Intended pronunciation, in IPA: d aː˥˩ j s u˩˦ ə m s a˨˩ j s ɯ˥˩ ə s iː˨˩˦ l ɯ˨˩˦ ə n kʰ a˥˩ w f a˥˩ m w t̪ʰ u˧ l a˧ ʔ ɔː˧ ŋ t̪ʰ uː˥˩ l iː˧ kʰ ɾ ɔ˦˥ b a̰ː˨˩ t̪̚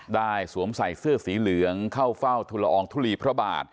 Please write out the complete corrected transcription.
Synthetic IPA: d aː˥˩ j s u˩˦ ə m s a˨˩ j s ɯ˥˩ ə s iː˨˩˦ l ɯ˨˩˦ ə ŋ kʰ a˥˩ w f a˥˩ w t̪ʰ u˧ l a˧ ʔ ɔː˧ ŋ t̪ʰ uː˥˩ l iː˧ pʰ ɾ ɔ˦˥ b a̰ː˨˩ t̪̚